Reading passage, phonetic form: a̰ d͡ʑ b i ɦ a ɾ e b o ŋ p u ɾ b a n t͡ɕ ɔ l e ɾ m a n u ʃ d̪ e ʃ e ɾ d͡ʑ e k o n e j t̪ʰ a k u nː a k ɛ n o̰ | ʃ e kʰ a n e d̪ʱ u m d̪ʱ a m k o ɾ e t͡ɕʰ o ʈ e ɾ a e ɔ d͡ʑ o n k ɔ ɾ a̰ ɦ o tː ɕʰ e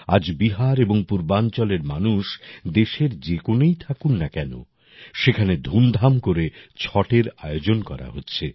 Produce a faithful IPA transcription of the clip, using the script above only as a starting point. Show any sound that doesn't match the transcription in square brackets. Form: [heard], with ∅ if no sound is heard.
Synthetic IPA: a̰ d͡ʑ b i ɦ a ɾ e b o ŋ p u ɾ b a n t͡ɕ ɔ l e ɾ m a n u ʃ d̪ e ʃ e ɾ d͡ʑ e k o n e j t̪ʰ a k u nː a k ɛ n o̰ | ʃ e kʰ a n e d̪ʱ u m d̪ʱ a m k o ɾ e t͡ɕʰ [ɔ] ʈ e ɾ a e [o] d͡ʑ o n k ɔ ɾ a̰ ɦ o tː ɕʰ e